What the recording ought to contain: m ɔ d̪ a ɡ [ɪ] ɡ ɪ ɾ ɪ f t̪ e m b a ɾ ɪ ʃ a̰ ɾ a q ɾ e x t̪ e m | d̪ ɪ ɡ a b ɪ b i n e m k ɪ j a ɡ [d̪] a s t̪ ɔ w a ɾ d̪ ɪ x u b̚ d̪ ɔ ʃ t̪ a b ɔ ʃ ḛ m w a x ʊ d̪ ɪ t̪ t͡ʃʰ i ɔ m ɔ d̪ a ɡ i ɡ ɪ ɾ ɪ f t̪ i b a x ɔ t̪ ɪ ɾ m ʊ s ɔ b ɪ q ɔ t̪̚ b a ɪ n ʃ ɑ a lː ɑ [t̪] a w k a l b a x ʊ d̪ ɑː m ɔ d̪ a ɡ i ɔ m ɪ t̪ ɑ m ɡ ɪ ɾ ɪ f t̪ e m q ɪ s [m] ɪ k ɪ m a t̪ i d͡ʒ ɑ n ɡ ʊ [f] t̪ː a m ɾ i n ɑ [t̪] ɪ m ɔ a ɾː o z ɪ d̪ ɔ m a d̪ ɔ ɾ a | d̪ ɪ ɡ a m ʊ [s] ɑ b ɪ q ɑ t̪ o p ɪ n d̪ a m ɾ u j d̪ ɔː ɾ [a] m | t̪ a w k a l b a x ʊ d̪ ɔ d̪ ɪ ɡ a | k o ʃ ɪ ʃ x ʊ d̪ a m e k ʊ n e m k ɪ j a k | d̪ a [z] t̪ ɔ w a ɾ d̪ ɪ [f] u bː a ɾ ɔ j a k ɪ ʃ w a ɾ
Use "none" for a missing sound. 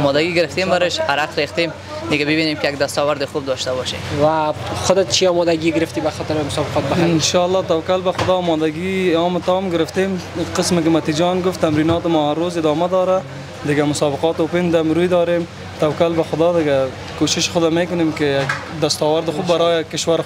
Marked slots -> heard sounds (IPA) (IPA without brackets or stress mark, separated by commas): i, d̪, t̪, m, f, t̪, s, e, s, x